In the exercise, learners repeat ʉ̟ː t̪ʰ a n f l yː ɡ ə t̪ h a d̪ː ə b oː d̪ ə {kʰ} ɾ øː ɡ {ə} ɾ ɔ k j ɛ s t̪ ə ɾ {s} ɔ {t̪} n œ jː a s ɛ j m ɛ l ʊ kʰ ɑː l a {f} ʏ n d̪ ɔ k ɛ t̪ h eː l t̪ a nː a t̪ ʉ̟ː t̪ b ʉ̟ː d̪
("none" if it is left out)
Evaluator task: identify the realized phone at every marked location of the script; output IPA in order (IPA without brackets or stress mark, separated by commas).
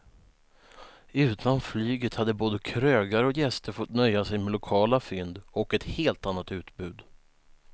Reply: kʰ, a, f, t̪, f